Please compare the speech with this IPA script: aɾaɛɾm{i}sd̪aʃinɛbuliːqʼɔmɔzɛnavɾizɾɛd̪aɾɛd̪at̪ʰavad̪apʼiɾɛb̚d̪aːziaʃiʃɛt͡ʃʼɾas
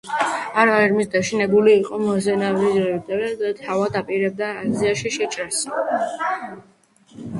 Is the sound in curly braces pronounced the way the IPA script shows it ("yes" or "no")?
yes